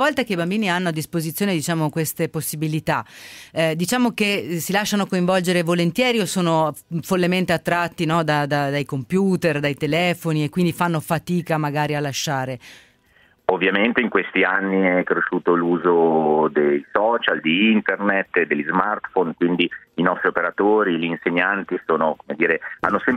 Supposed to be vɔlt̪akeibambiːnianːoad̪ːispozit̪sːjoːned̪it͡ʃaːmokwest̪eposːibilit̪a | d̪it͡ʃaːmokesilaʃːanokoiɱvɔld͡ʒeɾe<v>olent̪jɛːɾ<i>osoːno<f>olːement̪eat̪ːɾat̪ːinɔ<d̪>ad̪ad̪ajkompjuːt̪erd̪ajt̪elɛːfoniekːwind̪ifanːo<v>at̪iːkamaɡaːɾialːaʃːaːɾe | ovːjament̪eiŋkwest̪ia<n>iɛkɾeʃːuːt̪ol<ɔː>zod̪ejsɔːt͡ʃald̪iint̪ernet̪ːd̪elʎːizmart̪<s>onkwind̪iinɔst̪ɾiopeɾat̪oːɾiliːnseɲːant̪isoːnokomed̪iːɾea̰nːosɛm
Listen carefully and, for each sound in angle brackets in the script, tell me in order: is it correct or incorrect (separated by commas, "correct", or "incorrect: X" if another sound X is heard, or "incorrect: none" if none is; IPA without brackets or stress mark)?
correct, correct, correct, correct, incorrect: f, incorrect: nː, incorrect: uː, incorrect: f